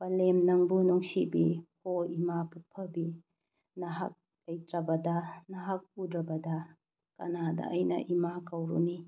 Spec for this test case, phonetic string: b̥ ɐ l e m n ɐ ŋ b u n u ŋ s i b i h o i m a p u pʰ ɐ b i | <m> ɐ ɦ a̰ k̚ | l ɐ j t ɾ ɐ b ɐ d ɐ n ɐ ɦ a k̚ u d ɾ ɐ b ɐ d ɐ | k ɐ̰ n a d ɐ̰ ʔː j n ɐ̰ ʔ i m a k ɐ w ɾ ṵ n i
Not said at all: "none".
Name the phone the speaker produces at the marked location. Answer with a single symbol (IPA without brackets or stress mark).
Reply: n